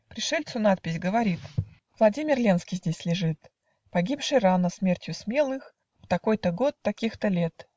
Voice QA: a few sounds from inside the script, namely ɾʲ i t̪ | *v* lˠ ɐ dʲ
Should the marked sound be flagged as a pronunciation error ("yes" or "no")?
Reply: no